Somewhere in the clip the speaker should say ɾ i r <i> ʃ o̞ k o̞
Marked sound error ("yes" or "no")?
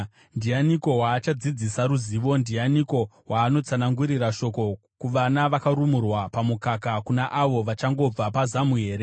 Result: yes